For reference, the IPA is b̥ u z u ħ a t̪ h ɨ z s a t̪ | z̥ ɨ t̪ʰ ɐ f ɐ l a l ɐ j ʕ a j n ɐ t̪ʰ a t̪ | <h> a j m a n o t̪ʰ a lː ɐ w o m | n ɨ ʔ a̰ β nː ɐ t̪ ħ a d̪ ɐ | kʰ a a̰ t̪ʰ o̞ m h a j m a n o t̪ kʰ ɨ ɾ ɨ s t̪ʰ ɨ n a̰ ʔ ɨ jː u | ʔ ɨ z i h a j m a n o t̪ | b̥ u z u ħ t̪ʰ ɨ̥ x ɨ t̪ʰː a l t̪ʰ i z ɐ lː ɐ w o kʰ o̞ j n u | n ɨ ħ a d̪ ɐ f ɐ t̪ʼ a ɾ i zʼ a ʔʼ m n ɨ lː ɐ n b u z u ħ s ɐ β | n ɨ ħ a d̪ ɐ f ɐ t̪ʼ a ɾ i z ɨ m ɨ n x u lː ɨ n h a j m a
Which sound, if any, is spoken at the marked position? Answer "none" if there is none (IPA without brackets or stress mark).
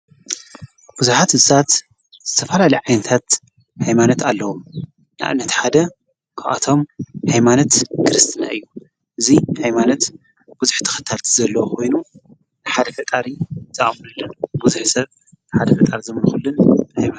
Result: h